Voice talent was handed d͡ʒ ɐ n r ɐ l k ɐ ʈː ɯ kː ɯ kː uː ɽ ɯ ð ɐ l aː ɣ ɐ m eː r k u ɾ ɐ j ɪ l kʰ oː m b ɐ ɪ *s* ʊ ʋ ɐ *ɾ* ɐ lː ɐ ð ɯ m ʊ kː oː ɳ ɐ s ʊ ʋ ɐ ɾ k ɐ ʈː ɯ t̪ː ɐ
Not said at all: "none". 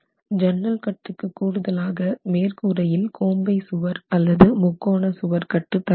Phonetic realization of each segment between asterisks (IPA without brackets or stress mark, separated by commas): s, ɾ